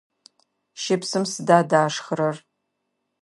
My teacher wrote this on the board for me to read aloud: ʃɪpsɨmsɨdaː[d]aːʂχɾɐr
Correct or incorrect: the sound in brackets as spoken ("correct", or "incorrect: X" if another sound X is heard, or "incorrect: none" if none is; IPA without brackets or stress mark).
correct